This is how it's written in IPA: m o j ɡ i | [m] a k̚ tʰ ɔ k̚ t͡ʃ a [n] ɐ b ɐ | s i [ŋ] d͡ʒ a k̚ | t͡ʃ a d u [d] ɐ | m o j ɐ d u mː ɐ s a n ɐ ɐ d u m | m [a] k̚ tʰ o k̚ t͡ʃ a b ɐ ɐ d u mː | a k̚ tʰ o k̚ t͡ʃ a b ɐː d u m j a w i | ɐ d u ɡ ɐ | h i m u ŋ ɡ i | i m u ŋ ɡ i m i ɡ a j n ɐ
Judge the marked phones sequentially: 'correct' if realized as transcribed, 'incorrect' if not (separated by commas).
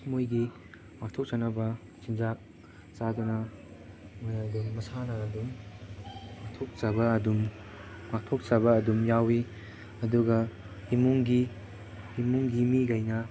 correct, correct, incorrect, incorrect, correct